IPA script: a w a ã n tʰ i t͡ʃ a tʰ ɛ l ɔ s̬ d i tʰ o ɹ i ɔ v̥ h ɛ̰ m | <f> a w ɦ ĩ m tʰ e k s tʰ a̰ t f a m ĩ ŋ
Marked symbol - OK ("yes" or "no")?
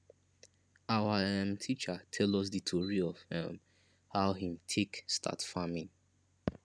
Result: no